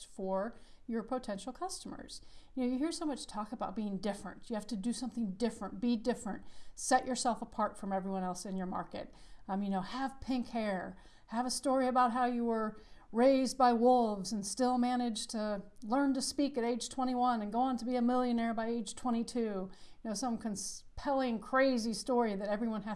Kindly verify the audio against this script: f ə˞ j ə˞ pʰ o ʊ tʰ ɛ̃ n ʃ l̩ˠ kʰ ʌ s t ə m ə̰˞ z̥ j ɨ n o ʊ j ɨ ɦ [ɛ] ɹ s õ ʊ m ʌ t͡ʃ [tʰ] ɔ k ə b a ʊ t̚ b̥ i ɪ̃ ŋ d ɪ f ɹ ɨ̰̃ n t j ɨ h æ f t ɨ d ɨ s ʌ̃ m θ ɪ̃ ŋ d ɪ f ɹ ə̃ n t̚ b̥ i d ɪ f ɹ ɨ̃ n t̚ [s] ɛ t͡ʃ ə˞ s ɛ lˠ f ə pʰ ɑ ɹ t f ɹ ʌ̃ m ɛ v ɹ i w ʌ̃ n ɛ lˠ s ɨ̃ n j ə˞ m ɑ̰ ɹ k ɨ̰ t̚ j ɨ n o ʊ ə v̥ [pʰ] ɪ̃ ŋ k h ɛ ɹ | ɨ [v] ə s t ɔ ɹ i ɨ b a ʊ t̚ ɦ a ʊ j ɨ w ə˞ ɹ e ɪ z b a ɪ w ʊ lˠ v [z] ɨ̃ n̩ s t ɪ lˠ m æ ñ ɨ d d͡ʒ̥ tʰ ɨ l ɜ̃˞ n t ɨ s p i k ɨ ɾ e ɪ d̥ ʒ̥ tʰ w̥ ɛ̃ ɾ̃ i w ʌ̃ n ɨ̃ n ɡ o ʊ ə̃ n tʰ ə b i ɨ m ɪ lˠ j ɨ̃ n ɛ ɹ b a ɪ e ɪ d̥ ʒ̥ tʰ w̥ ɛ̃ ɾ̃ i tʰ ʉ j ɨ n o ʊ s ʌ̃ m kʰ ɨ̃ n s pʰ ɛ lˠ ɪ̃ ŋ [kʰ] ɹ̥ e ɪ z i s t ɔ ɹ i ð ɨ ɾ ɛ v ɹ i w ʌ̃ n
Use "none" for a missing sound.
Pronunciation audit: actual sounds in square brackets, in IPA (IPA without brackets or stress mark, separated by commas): i, tʰ, s, pʰ, v, z, kʰ